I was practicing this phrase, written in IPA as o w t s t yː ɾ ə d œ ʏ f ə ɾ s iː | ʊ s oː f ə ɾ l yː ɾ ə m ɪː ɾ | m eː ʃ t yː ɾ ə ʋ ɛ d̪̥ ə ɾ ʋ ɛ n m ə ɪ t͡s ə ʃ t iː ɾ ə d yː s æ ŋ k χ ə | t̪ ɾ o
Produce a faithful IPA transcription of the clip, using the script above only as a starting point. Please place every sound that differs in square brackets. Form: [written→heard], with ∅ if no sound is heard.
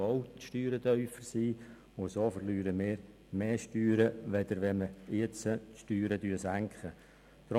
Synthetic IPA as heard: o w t [s→ʃ] t yː ɾ ə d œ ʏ f ə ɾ s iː | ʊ s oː f ə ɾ l yː ɾ ə m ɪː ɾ | m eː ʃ t yː ɾ ə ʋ ɛ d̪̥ ə ɾ ʋ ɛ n m ə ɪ t͡s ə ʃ t [iː→yː] ɾ ə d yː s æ ŋ k χ ə | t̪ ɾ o